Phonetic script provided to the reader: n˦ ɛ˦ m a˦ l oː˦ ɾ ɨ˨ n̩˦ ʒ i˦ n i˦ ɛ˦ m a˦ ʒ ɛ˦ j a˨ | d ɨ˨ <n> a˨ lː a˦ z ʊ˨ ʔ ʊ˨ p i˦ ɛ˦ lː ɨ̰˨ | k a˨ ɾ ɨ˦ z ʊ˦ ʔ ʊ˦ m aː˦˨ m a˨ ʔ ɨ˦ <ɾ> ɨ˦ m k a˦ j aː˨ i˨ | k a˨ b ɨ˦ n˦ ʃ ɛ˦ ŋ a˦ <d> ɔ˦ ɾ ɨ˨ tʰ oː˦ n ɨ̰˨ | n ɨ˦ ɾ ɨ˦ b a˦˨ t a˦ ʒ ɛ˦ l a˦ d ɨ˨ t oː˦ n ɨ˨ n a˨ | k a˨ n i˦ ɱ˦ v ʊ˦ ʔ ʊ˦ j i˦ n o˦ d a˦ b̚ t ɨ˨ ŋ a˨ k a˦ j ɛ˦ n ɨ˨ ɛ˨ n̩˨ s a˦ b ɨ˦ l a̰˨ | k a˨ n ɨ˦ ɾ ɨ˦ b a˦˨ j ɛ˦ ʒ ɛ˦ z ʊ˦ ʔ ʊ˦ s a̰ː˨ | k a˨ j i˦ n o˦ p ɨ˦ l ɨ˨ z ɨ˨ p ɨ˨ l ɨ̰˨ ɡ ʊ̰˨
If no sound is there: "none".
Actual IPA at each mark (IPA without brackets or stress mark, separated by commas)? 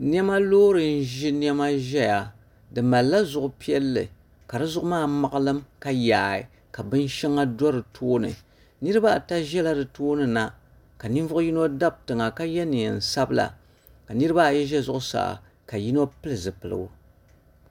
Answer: m, l, d